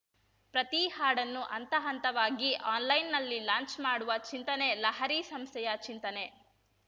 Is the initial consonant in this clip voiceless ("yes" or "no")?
yes